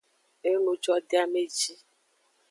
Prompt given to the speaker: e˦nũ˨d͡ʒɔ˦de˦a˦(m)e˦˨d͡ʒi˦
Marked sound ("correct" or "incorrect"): correct